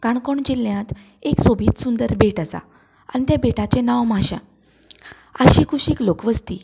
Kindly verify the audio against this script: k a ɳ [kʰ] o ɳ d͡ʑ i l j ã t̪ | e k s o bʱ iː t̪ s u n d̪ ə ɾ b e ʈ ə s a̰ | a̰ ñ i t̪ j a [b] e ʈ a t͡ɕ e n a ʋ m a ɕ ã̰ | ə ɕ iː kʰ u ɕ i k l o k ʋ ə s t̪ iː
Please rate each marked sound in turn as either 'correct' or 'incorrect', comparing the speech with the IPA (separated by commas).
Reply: incorrect, correct